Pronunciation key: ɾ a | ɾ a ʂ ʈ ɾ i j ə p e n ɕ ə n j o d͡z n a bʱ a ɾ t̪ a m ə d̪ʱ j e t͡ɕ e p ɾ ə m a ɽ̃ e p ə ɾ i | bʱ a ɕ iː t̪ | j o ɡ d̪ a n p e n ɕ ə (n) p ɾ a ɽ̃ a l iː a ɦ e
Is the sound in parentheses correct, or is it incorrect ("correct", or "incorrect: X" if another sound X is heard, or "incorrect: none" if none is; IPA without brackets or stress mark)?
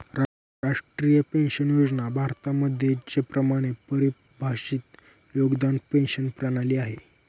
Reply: correct